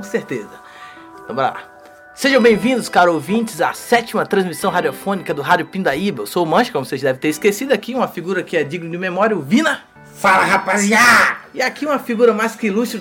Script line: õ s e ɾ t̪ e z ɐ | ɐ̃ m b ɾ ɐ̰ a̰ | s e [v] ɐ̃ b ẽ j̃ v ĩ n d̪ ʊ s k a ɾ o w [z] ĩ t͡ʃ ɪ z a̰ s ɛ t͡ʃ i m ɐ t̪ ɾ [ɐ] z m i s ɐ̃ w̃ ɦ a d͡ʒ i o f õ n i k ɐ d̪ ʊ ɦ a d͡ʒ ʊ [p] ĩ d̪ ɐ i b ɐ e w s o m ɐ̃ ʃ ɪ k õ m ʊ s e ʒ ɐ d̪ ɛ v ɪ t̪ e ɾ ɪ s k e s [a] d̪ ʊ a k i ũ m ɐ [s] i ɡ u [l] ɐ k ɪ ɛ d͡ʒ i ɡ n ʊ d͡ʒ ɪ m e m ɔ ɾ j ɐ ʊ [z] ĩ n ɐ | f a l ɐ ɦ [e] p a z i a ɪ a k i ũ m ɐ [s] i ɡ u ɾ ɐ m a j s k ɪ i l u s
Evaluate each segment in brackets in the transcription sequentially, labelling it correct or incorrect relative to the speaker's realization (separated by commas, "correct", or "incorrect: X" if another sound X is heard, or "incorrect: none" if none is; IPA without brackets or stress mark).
incorrect: ʒ, incorrect: v, incorrect: ɐ̃, correct, incorrect: i, incorrect: f, incorrect: ɾ, incorrect: v, incorrect: a, incorrect: f